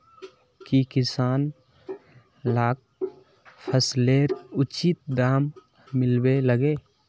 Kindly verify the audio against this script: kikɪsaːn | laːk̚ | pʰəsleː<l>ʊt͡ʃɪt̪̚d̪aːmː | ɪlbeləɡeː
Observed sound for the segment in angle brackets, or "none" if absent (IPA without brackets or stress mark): ɾ